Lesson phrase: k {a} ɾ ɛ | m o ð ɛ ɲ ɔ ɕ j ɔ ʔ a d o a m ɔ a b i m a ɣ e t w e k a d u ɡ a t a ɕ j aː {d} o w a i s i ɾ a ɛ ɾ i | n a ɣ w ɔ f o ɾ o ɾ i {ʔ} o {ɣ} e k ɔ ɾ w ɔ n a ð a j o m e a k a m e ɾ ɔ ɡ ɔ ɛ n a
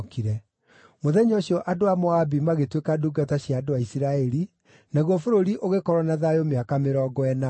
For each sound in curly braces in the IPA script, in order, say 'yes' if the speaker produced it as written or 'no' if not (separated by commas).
no, yes, yes, yes